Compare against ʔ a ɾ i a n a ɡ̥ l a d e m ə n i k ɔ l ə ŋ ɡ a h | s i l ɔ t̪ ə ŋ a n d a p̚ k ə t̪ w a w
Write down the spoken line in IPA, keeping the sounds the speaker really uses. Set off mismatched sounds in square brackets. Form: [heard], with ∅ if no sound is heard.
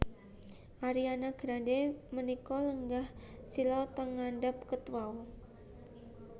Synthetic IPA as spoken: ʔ a ɾ i a n a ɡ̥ [ɾ] a d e m ə n i k ɔ l ə ŋ ɡ a h | s i l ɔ t̪ ə ŋ a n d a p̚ k ə t̪ w a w